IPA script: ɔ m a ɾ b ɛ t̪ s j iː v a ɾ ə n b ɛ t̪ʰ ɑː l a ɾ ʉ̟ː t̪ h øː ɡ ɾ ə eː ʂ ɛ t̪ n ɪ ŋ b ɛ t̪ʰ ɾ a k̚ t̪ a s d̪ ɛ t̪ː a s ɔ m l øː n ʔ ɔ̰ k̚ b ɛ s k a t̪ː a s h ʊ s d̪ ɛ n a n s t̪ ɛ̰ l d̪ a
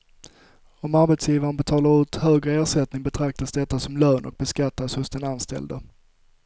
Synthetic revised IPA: ɔ m a ɾ b ɛ t̪ s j iː v a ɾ ə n b ɛ t̪ʰ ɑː l a ɾ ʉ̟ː t̪ h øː ɡ ɾ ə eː ʂ ɛ t̪ n ɪ ŋ b ɛ t̪ʰ ɾ a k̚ t̪ a s d̪ ɛ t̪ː a s ɔ m l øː n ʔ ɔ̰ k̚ b ɛ s k a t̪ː a s h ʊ s d̪ ɛ n a n s t̪ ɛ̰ l d̪ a